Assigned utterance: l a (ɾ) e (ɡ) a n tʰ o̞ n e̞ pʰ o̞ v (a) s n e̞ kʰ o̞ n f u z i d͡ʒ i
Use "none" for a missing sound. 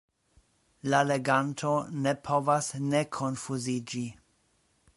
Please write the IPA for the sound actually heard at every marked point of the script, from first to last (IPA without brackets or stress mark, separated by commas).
l, ɡ, a